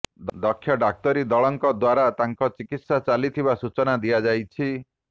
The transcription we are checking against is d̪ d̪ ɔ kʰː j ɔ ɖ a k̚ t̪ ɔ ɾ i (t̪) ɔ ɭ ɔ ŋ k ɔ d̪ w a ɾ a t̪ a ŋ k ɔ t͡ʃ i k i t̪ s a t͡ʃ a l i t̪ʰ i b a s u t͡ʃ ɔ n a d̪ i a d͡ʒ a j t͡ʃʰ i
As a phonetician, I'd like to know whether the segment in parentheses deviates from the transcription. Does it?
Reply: yes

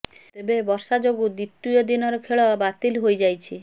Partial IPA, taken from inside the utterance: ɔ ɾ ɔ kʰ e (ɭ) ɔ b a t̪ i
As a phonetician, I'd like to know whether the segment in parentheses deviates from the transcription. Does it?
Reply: no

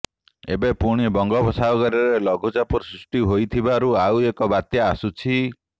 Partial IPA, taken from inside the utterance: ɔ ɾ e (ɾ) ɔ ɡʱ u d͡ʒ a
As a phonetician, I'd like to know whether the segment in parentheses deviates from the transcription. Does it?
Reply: yes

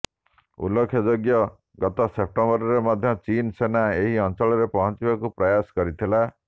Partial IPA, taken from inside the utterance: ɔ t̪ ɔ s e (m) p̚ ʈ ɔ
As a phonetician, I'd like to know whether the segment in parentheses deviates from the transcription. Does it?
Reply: yes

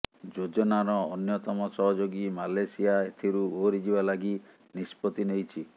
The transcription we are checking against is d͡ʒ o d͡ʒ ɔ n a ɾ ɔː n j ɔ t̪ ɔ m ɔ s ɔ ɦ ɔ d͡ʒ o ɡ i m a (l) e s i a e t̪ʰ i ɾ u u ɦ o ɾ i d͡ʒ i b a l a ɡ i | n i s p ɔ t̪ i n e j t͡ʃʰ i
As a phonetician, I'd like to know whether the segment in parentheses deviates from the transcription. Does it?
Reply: no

